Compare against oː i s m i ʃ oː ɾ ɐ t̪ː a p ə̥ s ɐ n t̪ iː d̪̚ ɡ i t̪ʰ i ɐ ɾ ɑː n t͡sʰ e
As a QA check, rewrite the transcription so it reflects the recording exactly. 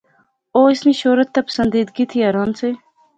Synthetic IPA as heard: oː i s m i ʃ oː ɾ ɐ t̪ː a p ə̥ s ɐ n d̪ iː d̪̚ ɡ i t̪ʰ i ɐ ɾ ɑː n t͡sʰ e